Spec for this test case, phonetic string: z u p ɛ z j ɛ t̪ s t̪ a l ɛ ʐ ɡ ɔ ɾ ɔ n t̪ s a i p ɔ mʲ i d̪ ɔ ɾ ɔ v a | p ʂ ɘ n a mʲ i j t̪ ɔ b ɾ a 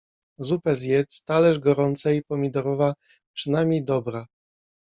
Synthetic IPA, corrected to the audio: z u p ɛ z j ɛ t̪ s t̪ a l ɛ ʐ ɡ ɔ ɾ ɔ n t̪ s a i p ɔ mʲ i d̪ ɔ ɾ ɔ v a | p ʂ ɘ n a mʲ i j d̪ ɔ b ɾ a